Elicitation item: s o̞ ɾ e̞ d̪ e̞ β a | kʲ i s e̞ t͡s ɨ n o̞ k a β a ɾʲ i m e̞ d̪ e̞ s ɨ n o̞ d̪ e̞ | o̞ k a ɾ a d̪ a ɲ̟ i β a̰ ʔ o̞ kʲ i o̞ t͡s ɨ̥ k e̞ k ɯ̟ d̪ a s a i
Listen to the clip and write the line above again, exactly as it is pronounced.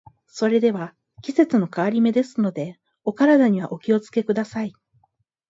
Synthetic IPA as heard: s o̞ ɾ e̞ d̪ e̞ β a | kʲ i s e̞ t͡s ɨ n o̞ k a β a ɾʲ i m e̞ d̪ e̞ s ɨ n o̞ d̪ e̞ | o̞ k a ɾ a d̪ a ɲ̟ i β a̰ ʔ o̞ kʲ i o̞ t͡s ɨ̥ k e̞ k ɯ̟ d̪ a s a i